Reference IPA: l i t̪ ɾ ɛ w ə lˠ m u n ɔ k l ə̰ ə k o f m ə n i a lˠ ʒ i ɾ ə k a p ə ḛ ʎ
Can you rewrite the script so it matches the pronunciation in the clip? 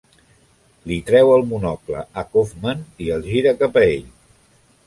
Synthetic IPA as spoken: l i t̪ ɾ ɛ w ə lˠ m u n ɔ k l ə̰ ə k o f m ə n i ə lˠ ʒ i ɾ ə k a p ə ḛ ʎ